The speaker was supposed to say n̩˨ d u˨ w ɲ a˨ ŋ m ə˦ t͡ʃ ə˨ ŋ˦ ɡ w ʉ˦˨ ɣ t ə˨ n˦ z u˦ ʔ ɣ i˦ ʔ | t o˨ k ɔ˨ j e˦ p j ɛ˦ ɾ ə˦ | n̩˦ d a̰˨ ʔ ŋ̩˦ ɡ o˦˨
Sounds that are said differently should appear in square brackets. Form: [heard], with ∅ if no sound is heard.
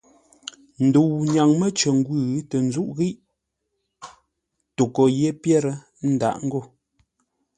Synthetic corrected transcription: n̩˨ d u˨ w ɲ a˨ ŋ m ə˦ t͡ʃ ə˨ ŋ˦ ɡ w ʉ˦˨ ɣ t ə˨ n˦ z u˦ ʔ ɣ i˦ ʔ | t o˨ k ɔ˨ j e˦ p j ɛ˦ ɾ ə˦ | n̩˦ d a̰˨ ʔ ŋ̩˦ ɡ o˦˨

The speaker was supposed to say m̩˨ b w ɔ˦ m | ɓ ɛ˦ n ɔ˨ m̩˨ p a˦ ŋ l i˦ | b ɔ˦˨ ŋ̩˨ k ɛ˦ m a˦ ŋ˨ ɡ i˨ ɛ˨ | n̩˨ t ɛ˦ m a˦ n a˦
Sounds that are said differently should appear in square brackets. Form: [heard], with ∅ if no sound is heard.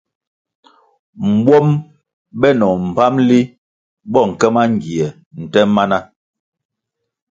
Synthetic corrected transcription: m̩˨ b w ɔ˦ m | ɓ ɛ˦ n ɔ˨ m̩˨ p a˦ [m] l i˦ | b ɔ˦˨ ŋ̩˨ k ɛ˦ m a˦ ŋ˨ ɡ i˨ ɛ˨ | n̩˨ t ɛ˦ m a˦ n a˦

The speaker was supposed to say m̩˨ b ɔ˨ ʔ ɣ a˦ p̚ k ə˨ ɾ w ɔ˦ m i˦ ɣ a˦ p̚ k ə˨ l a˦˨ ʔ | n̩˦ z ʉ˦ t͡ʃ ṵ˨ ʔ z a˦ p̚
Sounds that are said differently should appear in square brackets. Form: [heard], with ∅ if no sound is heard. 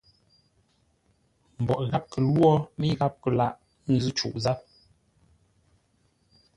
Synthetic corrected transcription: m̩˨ b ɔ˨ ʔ ɣ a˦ p̚ k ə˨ [l] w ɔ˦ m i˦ ɣ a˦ p̚ k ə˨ l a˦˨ ʔ | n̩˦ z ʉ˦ t͡ʃ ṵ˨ ʔ z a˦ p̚

